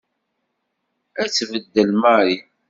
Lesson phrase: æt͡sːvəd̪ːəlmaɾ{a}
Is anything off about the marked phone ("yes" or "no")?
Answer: yes